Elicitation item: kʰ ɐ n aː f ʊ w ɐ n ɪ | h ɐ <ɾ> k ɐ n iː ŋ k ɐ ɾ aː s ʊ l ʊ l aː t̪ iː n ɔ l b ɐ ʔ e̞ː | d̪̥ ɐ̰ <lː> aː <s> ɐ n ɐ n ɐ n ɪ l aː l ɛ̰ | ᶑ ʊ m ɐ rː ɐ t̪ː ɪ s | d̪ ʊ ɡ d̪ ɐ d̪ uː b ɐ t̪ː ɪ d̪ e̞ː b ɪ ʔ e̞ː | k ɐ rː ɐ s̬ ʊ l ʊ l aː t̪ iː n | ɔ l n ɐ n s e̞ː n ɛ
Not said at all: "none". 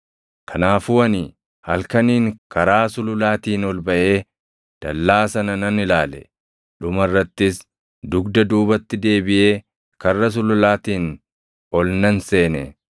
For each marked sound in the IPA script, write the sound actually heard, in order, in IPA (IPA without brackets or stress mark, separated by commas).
l, lː, s